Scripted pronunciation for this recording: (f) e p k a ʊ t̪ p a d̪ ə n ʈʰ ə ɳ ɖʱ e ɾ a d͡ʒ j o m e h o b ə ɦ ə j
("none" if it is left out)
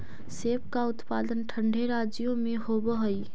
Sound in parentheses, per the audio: s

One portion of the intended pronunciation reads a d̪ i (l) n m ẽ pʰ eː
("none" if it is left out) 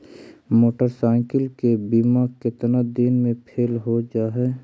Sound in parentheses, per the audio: none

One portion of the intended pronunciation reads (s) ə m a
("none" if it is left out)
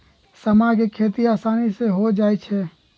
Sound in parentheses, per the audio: s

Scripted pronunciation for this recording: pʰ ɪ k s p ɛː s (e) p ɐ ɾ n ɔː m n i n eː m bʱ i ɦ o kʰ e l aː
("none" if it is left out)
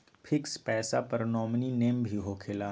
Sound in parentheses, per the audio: a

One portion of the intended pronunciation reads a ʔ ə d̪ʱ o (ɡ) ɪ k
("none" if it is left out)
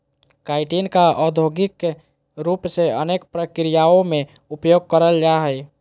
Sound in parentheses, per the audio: ɡ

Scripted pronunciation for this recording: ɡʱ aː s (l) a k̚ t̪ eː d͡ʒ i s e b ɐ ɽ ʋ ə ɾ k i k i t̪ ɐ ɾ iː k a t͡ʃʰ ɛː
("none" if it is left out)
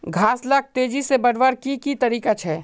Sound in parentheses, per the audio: l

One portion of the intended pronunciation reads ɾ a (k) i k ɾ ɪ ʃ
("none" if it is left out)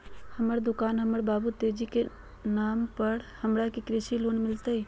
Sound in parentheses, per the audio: k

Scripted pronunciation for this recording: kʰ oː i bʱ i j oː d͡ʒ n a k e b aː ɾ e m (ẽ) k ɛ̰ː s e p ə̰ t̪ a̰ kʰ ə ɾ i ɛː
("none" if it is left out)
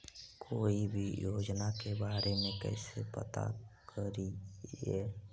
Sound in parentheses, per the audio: ẽ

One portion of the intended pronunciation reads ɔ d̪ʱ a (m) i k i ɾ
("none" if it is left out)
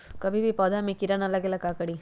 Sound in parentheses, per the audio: m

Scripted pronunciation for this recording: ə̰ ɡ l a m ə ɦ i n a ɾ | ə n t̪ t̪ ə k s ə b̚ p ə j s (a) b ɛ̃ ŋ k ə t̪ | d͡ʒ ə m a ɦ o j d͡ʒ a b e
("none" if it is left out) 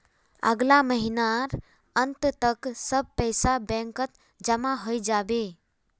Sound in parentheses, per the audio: a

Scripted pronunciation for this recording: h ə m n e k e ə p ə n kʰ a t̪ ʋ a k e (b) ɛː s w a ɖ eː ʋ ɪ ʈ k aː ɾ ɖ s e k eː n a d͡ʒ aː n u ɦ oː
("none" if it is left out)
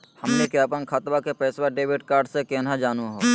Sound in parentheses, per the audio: p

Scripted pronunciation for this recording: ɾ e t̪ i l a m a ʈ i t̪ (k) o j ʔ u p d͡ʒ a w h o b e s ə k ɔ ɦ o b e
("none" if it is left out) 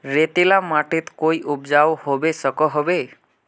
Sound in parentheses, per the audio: k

